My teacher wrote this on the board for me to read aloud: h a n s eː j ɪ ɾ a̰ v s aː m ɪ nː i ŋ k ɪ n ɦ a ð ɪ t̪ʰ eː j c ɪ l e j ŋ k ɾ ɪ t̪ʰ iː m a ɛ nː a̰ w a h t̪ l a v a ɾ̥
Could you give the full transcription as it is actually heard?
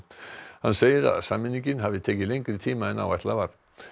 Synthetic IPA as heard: h a n s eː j ɪ ɾ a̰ ð s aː m ɪ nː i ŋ c ɪ n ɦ a v ɪ t̪ʰ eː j c ɪ l e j ŋ k ɾ ɪ t̪ʰ iː m a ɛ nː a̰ w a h t̪ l a v a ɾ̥